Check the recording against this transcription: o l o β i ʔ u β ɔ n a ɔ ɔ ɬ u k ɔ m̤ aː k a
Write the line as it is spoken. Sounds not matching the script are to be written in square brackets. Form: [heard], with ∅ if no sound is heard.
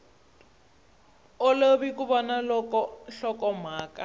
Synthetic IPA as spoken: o l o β i [k] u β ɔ n a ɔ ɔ ɬ [ɔ] k ɔ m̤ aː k a

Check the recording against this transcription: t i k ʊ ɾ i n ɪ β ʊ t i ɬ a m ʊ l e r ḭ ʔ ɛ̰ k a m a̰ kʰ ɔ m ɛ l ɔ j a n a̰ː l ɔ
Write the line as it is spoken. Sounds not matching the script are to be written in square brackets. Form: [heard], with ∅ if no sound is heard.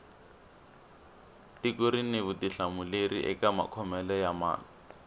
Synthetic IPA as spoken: t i k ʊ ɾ i n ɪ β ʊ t i ɬ a m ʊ l e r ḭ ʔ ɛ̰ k a m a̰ kʰ ɔ m ɛ l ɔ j a [m] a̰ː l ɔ

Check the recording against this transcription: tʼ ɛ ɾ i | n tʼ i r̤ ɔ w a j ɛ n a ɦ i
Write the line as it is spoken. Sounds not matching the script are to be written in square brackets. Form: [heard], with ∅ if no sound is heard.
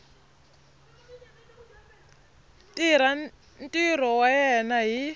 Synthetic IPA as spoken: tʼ [i] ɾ [a] | n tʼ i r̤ ɔ w a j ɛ n a ɦ i

